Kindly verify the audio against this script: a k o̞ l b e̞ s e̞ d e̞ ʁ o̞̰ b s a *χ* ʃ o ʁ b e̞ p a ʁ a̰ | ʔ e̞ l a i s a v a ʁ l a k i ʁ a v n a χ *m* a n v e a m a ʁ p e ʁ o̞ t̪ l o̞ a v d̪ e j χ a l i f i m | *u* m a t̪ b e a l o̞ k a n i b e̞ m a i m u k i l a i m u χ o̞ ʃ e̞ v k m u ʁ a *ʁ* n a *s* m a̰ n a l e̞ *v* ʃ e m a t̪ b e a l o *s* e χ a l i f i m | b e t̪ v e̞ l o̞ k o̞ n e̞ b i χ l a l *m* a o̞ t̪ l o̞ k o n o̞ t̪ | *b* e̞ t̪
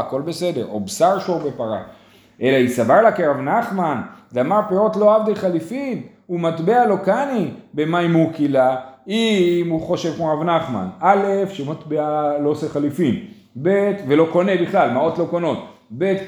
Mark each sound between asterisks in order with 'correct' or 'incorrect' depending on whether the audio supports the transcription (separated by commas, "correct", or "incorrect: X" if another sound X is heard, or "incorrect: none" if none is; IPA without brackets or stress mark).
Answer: incorrect: ʁ, correct, correct, incorrect: v, incorrect: χ, incorrect: f, correct, correct, correct